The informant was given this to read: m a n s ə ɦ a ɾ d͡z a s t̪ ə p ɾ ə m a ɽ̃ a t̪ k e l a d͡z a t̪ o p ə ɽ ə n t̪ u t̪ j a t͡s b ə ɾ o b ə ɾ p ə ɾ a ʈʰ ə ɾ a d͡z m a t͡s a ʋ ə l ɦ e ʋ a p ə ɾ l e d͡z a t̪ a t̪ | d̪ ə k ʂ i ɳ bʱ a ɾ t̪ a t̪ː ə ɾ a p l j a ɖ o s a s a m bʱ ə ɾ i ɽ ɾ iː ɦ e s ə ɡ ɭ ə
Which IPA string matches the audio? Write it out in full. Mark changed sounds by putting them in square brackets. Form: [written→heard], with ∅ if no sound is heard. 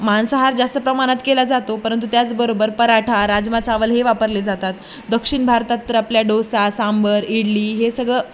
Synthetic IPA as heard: m a n s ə ɦ a ɾ d͡z a s t̪ ə p ɾ ə m a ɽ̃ a t̪ k e l a d͡z a t̪ o p ə [ɽ→ɾ] ə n t̪ u t̪ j a t͡s b ə ɾ o b ə ɾ p ə ɾ a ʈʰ [ə→a] ɾ a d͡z m a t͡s a ʋ ə l ɦ e ʋ a p ə ɾ l e d͡z a t̪ a t̪ | d̪ ə k ʂ i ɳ bʱ a ɾ t̪ a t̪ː ə ɾ a p l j a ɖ o s a s a m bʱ ə ɾ i ɽ [ɾ→l] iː ɦ e s ə ɡ ɭ ə